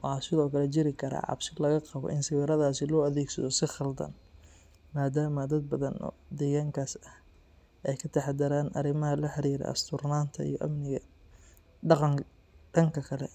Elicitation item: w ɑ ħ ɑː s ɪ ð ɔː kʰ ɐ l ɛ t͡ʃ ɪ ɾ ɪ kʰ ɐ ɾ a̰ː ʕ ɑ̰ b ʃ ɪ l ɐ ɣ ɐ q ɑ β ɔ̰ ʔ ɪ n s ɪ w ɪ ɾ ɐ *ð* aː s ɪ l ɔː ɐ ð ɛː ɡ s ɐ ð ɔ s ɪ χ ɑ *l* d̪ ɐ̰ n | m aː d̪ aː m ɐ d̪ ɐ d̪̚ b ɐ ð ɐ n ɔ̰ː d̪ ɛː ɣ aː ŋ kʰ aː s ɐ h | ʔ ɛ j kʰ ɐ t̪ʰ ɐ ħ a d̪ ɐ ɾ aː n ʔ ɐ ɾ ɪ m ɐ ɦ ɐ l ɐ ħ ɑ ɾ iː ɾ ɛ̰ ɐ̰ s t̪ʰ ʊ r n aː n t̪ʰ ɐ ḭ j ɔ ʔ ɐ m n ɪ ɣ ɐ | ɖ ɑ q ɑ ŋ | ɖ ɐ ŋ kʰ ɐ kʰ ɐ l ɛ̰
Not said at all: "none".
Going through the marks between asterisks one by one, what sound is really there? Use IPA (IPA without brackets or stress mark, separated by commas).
ð, l